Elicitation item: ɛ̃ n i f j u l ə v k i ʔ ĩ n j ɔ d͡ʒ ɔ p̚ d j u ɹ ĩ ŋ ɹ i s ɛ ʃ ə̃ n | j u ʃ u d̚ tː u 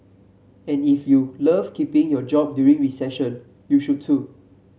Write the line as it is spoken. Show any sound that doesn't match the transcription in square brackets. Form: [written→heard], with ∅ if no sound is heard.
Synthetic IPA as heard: ɛ̃ n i f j u l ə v k i [ʔ→p] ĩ [n→ŋ] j ɔ d͡ʒ ɔ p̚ d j u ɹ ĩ ŋ ɹ i s ɛ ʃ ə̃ n | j u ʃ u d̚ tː u